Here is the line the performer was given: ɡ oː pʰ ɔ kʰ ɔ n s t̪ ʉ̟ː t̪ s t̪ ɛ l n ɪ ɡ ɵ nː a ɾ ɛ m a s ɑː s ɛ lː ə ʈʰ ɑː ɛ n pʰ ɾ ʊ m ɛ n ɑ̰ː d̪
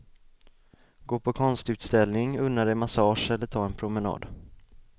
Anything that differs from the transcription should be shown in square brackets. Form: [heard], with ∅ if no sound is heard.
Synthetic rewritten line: ɡ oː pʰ ɔ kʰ ɔ n s t̪ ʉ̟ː t̪ s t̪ ɛ l n ɪ [ŋ] ɵ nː a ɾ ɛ m a s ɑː [ʂ] ɛ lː ə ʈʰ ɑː ɛ n pʰ ɾ ʊ m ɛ n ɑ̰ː d̪